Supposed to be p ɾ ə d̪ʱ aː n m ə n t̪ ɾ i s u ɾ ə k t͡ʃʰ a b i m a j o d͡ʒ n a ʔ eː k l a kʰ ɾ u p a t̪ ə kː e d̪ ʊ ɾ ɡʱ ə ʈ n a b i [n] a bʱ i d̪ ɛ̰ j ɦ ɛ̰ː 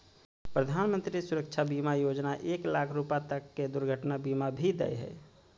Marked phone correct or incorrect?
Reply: incorrect